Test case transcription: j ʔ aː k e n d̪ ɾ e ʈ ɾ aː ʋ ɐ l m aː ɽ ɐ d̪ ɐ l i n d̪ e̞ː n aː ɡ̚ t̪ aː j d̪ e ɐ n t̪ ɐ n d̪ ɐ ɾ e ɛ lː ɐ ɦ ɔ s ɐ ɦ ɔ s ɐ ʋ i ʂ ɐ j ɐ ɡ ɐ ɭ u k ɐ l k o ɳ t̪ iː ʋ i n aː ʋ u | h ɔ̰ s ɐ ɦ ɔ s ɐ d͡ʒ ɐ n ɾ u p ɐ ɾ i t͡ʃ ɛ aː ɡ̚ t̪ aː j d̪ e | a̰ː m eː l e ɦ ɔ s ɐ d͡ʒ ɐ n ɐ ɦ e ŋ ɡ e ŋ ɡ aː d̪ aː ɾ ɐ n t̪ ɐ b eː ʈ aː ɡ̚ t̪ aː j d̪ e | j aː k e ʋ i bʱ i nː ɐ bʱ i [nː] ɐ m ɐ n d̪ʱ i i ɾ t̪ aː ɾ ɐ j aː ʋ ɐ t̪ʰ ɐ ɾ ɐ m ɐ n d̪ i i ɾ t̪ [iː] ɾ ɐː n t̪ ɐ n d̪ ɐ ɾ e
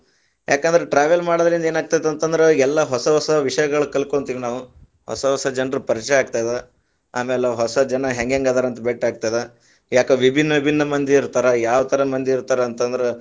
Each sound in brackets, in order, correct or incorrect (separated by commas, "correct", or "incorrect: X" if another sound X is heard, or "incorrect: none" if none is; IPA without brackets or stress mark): correct, incorrect: aː